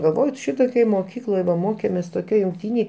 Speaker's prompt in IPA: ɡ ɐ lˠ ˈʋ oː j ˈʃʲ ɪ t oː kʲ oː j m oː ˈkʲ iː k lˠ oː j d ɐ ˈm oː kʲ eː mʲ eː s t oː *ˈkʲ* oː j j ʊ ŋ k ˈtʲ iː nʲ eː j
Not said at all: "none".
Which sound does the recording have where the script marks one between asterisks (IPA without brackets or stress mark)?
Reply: kʲ